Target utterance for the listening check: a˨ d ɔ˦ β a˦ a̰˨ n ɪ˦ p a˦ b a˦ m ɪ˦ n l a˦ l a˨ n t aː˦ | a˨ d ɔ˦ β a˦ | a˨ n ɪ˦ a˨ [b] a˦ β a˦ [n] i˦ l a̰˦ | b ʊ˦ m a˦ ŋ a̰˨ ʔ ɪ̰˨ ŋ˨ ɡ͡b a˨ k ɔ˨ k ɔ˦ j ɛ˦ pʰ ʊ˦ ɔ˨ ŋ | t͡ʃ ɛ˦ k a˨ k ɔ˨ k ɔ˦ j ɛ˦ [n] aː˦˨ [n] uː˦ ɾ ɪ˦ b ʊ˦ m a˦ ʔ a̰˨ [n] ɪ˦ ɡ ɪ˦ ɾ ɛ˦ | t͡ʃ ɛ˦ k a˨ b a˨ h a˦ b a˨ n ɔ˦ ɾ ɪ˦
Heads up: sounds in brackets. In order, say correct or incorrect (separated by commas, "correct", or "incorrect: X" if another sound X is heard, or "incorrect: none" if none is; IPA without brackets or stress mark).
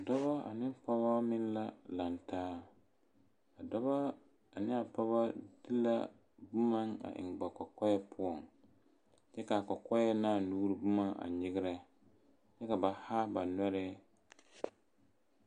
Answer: incorrect: p, incorrect: d, correct, correct, incorrect: ɲ